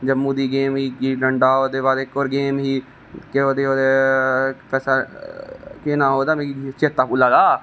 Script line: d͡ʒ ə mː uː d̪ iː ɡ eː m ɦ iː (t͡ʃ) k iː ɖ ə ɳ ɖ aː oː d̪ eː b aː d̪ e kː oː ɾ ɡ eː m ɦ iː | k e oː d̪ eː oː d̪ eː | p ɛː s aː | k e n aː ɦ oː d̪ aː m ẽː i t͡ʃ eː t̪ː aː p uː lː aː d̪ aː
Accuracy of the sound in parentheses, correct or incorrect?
incorrect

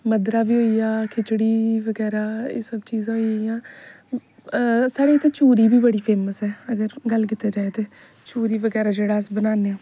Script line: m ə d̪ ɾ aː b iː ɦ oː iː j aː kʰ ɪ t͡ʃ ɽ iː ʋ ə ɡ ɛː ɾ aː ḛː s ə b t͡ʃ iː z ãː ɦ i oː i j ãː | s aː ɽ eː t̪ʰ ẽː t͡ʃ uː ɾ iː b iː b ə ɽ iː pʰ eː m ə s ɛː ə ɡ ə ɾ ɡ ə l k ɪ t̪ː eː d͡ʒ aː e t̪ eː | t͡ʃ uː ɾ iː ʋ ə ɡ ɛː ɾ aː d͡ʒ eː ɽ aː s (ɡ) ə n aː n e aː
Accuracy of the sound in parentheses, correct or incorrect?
incorrect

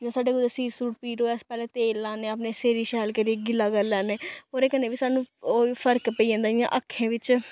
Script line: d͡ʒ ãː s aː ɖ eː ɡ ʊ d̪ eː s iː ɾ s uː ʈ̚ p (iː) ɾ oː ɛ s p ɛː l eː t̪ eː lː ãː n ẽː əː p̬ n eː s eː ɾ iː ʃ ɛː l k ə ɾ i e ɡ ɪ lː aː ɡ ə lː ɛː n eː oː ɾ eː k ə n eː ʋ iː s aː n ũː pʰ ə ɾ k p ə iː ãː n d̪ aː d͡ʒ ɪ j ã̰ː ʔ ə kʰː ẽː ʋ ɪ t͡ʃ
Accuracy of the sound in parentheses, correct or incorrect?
correct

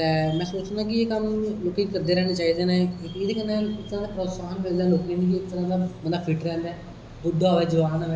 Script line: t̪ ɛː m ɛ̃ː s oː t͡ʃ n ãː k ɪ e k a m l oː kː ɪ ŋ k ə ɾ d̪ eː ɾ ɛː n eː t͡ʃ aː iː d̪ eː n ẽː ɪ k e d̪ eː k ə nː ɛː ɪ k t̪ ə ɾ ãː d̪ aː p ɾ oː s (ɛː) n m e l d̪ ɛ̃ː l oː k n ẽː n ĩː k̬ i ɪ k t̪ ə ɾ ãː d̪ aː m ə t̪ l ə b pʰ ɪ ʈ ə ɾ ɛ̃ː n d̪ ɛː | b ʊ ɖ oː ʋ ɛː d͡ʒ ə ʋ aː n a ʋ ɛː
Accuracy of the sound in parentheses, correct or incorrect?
incorrect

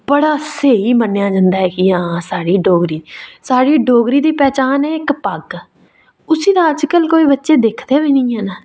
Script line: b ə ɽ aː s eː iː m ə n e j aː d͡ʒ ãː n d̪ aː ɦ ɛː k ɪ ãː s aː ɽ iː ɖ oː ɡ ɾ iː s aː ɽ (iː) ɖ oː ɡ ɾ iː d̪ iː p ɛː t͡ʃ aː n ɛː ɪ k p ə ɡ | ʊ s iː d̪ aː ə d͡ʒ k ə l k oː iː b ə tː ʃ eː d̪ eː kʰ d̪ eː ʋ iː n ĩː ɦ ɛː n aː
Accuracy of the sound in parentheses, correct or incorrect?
correct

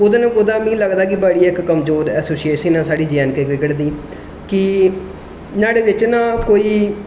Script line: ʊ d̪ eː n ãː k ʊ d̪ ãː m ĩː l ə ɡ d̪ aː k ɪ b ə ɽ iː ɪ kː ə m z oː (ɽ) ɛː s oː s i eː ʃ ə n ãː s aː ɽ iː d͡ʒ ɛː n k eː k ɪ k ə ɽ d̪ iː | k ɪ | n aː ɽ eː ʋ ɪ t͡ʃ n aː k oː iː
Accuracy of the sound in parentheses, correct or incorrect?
incorrect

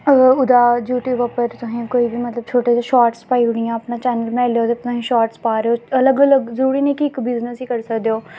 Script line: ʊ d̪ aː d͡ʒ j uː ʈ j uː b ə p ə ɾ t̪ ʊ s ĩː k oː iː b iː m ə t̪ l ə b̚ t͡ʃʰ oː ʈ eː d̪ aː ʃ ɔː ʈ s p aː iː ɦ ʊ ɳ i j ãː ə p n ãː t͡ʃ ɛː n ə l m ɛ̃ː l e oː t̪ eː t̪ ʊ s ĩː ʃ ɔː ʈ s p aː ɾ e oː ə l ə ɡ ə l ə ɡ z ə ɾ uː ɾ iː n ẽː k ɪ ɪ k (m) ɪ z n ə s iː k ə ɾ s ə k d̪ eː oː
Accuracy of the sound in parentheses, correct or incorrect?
incorrect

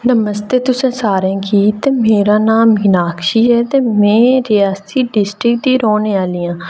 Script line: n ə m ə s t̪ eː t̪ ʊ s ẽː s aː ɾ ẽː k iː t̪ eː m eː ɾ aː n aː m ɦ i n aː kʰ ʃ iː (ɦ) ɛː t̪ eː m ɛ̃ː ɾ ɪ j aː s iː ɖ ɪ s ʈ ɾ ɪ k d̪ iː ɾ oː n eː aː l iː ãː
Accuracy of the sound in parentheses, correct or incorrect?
correct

